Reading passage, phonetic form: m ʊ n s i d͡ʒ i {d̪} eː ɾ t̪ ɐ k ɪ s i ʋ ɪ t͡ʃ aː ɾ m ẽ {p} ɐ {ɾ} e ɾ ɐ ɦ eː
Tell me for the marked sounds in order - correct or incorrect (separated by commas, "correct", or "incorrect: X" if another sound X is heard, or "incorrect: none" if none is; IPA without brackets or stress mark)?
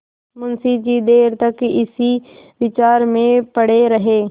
correct, correct, incorrect: ɽ